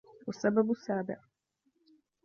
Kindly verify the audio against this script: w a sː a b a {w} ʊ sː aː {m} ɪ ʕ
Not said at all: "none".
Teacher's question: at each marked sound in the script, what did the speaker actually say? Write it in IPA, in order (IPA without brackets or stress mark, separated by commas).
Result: b, b